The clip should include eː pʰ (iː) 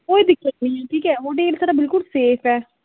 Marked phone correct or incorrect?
incorrect